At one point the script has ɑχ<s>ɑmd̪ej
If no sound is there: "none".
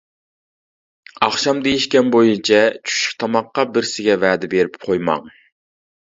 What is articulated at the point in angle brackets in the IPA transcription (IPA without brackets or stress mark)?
ʃ